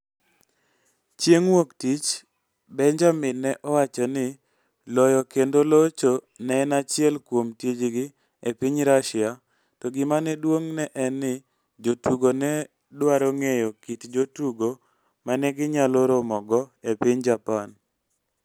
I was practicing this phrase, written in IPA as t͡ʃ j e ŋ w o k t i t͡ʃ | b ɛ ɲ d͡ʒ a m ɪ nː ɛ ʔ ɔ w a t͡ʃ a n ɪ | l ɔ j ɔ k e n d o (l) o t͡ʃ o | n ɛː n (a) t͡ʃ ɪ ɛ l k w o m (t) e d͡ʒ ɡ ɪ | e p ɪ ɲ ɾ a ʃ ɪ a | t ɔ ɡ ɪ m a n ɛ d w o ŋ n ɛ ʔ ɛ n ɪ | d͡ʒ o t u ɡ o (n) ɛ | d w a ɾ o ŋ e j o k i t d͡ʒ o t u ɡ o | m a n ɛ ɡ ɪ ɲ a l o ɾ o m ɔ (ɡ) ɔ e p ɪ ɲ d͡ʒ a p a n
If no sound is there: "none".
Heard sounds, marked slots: l, a, t, n, ɡ

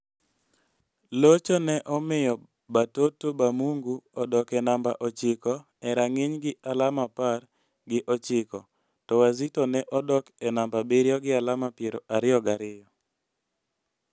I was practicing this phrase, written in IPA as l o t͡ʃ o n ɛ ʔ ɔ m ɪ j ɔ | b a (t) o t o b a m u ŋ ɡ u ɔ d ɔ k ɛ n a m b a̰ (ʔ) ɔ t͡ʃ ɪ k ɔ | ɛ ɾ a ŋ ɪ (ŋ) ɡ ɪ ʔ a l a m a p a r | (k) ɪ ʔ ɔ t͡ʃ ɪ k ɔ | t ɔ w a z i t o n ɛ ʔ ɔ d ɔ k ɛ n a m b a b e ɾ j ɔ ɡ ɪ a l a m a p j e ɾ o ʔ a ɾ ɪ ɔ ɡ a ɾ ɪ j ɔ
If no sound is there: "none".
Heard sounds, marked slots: t, ʔ, ɲ, ɡ

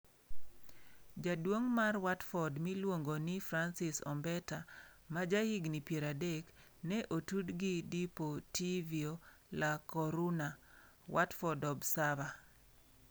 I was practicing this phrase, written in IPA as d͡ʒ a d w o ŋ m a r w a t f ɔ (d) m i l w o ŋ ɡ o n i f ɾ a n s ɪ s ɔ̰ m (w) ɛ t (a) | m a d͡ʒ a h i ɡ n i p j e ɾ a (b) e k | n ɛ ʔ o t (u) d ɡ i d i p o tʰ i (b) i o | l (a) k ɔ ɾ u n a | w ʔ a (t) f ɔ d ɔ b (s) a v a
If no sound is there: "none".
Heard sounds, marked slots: d, b, a, d, u, v, a, t, s

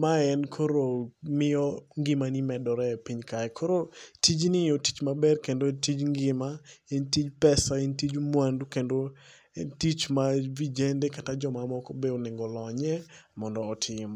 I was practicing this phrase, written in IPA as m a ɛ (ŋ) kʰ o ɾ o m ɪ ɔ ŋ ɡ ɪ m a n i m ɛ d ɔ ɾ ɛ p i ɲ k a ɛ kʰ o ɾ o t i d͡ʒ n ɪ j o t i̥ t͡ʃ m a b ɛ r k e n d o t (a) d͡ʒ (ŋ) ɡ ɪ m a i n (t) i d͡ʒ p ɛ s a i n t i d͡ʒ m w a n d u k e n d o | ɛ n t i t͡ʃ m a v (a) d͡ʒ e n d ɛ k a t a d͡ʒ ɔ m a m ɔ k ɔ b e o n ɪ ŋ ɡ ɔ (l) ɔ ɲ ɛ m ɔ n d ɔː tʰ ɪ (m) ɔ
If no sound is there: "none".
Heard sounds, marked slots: n, i, ŋ, t, i, l, m

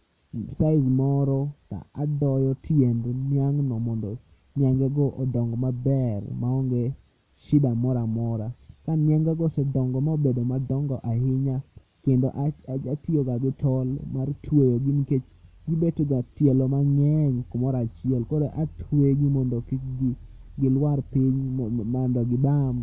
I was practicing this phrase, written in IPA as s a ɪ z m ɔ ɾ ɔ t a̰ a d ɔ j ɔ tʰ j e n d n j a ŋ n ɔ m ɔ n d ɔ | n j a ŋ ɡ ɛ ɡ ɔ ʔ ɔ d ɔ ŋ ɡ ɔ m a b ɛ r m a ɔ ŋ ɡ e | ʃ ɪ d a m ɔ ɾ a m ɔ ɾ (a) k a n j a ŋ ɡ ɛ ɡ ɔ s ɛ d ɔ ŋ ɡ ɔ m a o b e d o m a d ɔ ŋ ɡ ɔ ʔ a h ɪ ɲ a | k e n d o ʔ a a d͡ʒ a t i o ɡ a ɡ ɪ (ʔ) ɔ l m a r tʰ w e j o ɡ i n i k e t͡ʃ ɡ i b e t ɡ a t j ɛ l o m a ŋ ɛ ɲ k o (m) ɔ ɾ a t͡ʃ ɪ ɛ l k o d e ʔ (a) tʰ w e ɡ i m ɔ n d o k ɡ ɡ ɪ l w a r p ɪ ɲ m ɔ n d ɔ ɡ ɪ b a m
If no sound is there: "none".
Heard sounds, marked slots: a, t, m, a

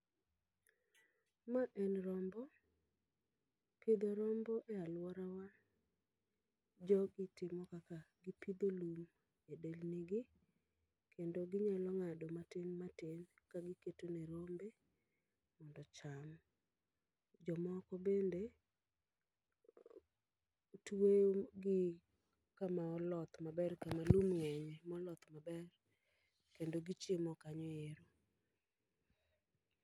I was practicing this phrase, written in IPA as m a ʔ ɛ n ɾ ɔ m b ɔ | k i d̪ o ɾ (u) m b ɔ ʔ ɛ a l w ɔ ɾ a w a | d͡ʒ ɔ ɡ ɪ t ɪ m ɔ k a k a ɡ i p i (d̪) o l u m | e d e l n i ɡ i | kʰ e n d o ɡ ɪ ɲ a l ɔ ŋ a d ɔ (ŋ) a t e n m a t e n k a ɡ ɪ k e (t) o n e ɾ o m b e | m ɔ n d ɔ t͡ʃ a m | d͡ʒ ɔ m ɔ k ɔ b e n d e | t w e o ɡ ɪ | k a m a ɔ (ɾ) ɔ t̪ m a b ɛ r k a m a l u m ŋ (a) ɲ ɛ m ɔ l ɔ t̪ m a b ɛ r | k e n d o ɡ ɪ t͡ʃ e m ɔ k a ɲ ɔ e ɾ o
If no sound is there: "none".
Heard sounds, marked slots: ɔ, d̪, m, t, l, ɛ

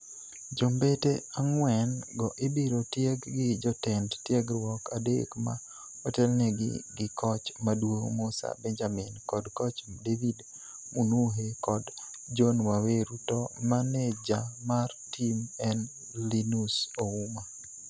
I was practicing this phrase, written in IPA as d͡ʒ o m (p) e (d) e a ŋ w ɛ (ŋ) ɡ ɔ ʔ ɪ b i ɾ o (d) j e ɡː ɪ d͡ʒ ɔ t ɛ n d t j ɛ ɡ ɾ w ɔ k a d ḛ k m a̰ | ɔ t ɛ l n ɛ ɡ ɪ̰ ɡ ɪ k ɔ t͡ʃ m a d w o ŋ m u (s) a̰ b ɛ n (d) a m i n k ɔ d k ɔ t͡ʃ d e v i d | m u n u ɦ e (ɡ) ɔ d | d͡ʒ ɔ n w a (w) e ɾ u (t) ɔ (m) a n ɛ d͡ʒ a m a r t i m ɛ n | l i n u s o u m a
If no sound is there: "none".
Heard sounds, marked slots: b, t, n, t, s, d͡ʒ, k, w, t, m

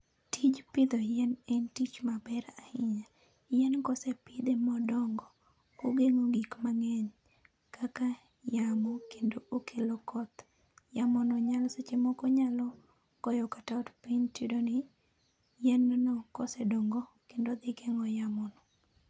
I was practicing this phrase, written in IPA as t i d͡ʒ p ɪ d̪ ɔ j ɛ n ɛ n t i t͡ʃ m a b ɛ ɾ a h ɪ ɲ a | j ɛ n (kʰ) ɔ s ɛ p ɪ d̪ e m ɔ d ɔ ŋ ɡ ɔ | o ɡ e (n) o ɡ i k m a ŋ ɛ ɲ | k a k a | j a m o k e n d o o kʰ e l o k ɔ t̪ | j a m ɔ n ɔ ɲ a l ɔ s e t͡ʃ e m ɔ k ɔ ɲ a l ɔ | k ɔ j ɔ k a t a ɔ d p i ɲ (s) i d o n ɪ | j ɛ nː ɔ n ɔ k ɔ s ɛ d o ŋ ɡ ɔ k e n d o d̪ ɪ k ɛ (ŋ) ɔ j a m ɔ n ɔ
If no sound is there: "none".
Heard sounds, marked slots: k, ŋ, t, ŋ

